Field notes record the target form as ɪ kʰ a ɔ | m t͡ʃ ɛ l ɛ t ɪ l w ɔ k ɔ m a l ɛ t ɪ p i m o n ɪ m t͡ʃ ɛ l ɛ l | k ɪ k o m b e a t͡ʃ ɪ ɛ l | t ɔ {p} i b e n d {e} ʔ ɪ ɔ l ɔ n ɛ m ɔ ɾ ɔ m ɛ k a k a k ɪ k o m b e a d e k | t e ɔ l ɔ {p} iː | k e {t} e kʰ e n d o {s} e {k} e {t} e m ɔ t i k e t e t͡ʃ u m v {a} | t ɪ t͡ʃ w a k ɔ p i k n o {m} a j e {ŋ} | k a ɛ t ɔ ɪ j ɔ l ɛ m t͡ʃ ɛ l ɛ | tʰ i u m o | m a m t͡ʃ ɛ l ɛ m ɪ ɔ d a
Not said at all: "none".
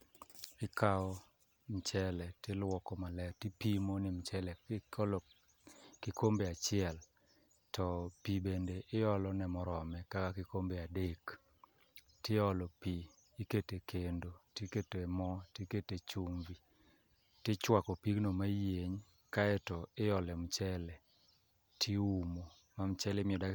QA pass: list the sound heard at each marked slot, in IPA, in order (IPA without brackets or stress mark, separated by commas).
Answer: p, e, p, t, t, k, t, i, m, ɲ